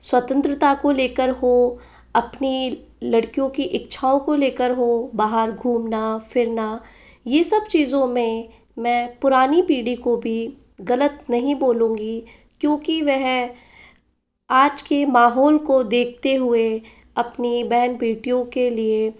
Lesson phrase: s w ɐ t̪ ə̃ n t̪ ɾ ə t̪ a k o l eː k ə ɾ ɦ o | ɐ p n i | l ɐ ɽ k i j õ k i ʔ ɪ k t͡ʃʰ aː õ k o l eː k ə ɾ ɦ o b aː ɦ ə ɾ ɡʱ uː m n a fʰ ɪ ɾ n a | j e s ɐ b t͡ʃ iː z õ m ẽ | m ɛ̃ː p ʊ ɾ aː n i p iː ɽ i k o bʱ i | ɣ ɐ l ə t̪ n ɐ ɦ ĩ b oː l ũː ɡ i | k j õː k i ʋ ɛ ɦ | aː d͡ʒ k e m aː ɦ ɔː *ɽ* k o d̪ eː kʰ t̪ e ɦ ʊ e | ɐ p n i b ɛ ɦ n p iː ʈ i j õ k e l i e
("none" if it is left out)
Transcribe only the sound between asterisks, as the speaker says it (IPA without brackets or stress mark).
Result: l